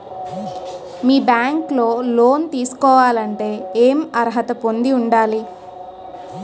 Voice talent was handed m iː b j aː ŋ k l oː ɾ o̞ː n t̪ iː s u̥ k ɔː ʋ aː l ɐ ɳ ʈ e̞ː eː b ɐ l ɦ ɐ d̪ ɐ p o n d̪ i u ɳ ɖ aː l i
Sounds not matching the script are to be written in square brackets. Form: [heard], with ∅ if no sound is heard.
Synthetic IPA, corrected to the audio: m iː b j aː ŋ k l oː [l] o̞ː n t̪ iː s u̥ k ɔː ʋ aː l ɐ ɳ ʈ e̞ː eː [m] ɐ [ɾ] ɦ ɐ [t̪] ɐ p o n d̪ i u ɳ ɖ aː l i

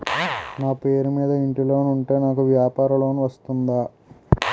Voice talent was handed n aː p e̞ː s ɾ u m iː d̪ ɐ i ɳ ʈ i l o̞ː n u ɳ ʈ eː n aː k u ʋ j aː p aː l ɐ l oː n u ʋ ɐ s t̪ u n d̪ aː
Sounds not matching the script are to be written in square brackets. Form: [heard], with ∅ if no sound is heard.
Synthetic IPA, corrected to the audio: n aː p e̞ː [∅] ɾ u m iː d̪ ɐ i ɳ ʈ i l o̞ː n u ɳ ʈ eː n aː k u ʋ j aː p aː [ɾ] ɐ l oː n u ʋ ɐ s t̪ u n d̪ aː

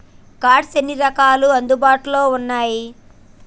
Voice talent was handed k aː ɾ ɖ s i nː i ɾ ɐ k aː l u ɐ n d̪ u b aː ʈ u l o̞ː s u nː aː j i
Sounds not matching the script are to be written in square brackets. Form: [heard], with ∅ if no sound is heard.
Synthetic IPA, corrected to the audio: k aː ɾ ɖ s [e] nː i ɾ ɐ k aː l u ɐ n d̪ u b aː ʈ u l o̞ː [∅] u nː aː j i

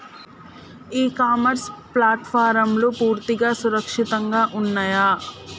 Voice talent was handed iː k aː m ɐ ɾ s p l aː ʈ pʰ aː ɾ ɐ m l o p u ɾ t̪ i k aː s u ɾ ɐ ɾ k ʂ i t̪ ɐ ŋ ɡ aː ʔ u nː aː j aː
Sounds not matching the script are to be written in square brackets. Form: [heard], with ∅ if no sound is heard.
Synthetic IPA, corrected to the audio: iː k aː m ɐ ɾ s p l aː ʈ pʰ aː ɾ ɐ m l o p [uː] ɾ t̪ i [ɡ] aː s u ɾ ɐ [∅] k ʂ i t̪ ɐ ŋ ɡ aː ʔ u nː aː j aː

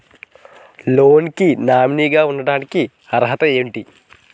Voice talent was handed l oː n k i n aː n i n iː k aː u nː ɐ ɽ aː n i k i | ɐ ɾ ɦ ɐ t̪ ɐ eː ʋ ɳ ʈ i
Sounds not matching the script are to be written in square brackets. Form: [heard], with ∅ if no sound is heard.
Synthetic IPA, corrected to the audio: l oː n k i n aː [m] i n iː [ɡ] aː u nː ɐ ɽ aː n i k i | ɐ ɾ ɦ ɐ t̪ ɐ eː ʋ ɳ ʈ i

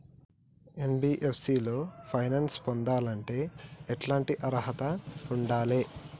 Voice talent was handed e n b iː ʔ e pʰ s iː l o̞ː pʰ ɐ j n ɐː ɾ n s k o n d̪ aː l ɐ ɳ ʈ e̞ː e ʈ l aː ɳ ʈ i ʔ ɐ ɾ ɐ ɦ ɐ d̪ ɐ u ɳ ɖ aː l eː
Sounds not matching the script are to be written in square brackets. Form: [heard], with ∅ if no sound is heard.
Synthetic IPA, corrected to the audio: e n b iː ʔ e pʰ s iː l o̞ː pʰ ɐ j n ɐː [∅] n s [p] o n d̪ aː l ɐ ɳ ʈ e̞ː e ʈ l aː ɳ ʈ i ʔ ɐ ɾ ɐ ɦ ɐ [t̪] ɐ u ɳ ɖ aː l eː

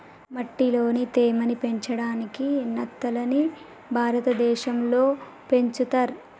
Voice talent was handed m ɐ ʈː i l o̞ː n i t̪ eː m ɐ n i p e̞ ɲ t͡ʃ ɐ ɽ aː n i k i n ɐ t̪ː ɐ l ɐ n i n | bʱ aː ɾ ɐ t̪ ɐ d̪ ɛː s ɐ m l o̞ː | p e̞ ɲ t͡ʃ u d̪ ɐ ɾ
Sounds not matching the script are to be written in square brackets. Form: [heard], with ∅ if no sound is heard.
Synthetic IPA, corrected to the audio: m ɐ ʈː i l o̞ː n i t̪ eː m ɐ n i p e̞ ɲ t͡ʃ ɐ ɽ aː n i k i n ɐ t̪ː ɐ l ɐ n i [∅] | bʱ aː ɾ ɐ t̪ ɐ d̪ ɛː [ʃ] ɐ m l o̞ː | p e̞ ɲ t͡ʃ u [t̪] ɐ ɾ

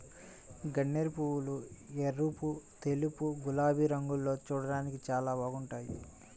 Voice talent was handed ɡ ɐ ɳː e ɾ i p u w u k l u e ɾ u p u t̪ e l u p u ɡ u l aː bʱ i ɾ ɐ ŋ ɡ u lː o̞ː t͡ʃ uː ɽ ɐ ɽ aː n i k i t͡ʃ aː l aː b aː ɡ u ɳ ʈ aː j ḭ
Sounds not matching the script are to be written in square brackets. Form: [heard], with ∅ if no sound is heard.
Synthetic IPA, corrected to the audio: ɡ ɐ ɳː e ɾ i p u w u [∅] l u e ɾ u p u t̪ e l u p u ɡ u l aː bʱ i ɾ ɐ ŋ ɡ u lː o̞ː t͡ʃ uː ɽ ɐ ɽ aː n i k i t͡ʃ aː l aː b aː ɡ u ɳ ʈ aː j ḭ

